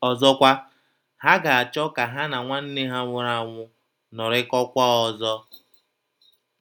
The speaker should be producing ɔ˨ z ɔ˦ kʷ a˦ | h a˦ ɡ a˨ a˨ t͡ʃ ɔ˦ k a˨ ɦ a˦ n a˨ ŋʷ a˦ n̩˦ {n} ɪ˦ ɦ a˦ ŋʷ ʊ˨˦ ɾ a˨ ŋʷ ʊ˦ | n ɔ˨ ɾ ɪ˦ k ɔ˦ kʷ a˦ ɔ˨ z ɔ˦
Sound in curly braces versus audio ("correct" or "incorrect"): correct